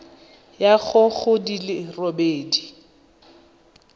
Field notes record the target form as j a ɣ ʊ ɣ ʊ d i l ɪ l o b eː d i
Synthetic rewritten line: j a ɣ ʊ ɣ ʊ d i l ɪ r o b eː d i